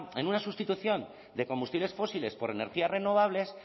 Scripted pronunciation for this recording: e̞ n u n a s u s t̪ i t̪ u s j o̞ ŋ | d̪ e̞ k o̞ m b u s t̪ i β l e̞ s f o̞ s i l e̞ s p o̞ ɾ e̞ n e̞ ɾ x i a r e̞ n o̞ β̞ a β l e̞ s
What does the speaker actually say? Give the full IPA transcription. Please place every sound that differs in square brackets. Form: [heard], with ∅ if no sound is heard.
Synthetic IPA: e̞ n u n a s u s t̪ i t̪ u [θ] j o̞ [n] | d̪ e̞ k o̞ m b u s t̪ i β l e̞ s f o̞ s i l e̞ s p o̞ ɾ e̞ n e̞ ɾ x i a r e̞ n o̞ β̞ a β l e̞ s

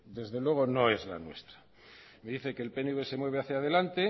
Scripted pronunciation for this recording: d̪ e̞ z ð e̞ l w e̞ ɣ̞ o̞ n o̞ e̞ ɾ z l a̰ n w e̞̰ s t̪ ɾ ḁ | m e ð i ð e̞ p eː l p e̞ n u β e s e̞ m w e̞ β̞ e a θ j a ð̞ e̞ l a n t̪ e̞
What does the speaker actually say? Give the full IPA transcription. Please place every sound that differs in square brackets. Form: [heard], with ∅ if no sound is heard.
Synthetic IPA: d̪ e̞ z ð e̞ l w e̞ ɣ̞ o̞ n o̞ e̞ [∅] z l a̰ n w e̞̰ s t̪ ɾ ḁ | m e ð i [θ] e̞ [k] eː l p e̞ n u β e s e̞ m w e̞ β̞ e a θ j a ð̞ e̞ l a n t̪ e̞

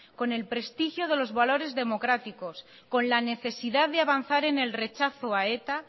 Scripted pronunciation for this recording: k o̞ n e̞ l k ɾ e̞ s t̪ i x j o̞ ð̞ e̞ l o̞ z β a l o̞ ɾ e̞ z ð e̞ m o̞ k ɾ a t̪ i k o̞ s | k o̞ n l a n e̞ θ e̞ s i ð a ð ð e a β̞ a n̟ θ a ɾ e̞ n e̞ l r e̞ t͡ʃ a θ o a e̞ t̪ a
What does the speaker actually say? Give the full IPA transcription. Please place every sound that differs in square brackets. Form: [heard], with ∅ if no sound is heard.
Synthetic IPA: k o̞ n e̞ l [p] ɾ e̞ s t̪ i x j o̞ ð̞ e̞ l o̞ z β a l o̞ ɾ e̞ z ð e̞ m o̞ k ɾ a t̪ i k o̞ s | k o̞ n l a n e̞ θ e̞ s i ð a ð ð e a β̞ a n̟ θ a ɾ e̞ n e̞ l r e̞ t͡ʃ a θ o a e̞ t̪ a

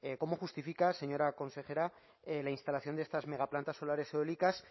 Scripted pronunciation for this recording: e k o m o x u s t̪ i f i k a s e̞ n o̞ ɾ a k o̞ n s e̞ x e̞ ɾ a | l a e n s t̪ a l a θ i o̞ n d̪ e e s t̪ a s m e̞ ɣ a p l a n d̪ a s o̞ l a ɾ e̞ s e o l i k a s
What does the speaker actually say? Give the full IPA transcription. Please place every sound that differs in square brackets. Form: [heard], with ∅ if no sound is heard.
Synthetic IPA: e k o m o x u s t̪ i f i k a s e̞ [ɲ] o̞ ɾ a k o̞ n s e̞ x e̞ ɾ a | l a [i] n s t̪ a l a θ [j] o̞ n d̪ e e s t̪ a [z] m e̞ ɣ a p l a n [t̪] a s o̞ l a ɾ e̞ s e o l i k a s

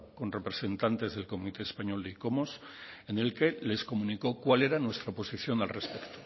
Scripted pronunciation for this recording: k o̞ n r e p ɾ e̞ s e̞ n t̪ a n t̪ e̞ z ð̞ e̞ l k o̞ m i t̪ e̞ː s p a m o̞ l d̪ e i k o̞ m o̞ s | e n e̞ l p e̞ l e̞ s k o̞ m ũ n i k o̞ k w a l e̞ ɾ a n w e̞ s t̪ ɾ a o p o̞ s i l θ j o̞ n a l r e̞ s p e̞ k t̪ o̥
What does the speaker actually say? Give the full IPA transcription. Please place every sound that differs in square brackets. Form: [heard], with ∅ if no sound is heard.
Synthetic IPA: k o̞ n r e p ɾ e̞ s e̞ n t̪ a n t̪ e̞ z ð̞ e̞ l k o̞ m i t̪ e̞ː s p a [ɲ] o̞ l d̪ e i k o̞ m o̞ s | e n e̞ l [k] e̞ l e̞ s k o̞ m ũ n i k o̞ k w a l e̞ ɾ a n w e̞ s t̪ ɾ a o p o̞ s i [∅] θ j o̞ n a l r e̞ s p e̞ k t̪ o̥

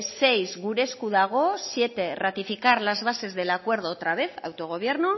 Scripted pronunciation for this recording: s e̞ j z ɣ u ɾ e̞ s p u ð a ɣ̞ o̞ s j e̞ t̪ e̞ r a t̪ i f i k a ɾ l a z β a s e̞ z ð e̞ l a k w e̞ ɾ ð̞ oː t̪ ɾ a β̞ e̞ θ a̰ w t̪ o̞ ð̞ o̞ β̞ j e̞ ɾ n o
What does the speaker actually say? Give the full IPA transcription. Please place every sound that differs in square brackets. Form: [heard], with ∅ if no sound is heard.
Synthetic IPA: s e̞ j z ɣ u ɾ e̞ s [k] u ð a ɣ̞ o̞ s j e̞ t̪ e̞ r a t̪ i f i k a ɾ l a z β a s e̞ z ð e̞ l a k w e̞ ɾ ð̞ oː t̪ ɾ a β̞ e̞ θ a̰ w t̪ o̞ [ɣ̞] o̞ β̞ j e̞ ɾ n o

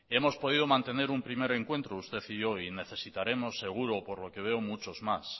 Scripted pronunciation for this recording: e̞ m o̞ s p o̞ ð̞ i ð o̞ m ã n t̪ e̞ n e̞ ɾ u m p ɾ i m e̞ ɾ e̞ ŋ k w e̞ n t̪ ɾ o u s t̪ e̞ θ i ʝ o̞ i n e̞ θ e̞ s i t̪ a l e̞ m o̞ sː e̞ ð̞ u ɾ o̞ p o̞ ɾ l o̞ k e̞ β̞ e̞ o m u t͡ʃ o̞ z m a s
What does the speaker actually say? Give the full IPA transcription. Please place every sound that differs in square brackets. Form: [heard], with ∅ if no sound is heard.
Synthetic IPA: e̞ m o̞ s p o̞ ð̞ i ð o̞ m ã n t̪ e̞ n e̞ ɾ u m p ɾ i m e̞ ɾ e̞ ŋ k w e̞ n t̪ ɾ o u s t̪ e̞ θ i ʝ o̞ i n e̞ θ e̞ s i t̪ a [ɾ] e̞ m o̞ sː e̞ [ɣ̞] u ɾ o̞ p o̞ ɾ l o̞ k e̞ β̞ e̞ o m u t͡ʃ o̞ z m a s

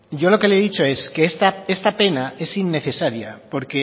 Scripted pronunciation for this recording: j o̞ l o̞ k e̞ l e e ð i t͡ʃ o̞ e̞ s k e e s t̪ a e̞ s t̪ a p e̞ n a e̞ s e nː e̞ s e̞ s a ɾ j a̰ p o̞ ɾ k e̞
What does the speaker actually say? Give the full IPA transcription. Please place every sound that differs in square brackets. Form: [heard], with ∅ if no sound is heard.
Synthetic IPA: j o̞ l o̞ k e̞ l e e ð i t͡ʃ o̞ e̞ s k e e s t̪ a e̞ s t̪ a p e̞ n a e̞ s [i] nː e̞ [θ] e̞ s a ɾ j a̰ p o̞ ɾ k e̞

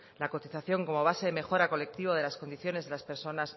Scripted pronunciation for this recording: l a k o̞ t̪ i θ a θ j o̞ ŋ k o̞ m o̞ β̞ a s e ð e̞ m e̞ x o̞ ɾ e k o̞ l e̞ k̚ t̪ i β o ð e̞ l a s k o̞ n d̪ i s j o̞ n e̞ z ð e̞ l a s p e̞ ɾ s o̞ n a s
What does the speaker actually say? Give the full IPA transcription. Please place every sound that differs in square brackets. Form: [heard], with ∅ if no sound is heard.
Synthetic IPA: l a k o̞ t̪ i θ a θ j o̞ ŋ k o̞ m o̞ β̞ a s e ð e̞ m e̞ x o̞ ɾ [a] k o̞ l e̞ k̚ t̪ i β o ð e̞ l a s k o̞ n d̪ i [θ] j o̞ n e̞ z ð e̞ l a s p e̞ ɾ s o̞ n a s

